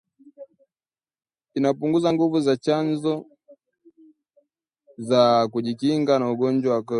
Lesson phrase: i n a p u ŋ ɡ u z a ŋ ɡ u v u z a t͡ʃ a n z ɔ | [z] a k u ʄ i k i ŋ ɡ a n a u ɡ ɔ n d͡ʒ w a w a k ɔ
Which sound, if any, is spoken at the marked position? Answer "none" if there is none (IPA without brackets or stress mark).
z